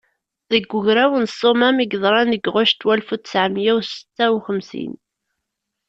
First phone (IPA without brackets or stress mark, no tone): ð